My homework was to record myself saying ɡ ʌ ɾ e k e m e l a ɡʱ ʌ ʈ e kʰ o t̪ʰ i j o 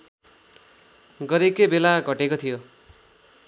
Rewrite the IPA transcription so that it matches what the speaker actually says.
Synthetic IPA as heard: ɡ ʌ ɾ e k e b e l a ɡʱ ʌ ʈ e k o t̪ʰ i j o